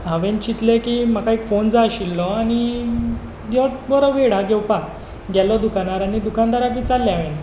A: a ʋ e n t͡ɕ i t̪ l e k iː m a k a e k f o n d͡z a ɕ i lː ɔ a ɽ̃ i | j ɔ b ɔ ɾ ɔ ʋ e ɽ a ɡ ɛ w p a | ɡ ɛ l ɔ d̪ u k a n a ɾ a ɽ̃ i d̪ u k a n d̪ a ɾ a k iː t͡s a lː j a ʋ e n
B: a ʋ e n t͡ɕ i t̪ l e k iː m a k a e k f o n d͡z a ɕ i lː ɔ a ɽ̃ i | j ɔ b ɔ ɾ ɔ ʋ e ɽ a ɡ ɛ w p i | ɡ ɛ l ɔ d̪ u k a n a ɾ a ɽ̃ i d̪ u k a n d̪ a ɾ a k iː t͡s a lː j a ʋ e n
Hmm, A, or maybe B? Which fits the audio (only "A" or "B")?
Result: A